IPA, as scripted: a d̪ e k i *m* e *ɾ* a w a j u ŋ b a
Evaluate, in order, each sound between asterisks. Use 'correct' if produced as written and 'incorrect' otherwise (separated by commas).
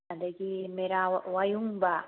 correct, correct